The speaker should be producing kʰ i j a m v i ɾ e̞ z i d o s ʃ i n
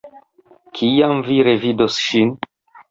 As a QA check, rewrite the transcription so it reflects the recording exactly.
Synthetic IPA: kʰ i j a m v i ɾ e̞ v i d o s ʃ i n